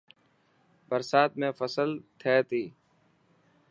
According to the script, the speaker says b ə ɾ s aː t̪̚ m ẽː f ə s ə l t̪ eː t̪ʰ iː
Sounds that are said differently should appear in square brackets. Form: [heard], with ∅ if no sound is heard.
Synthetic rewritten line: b ə ɾ s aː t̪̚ m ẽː f ə s ə l [t̪ʰ] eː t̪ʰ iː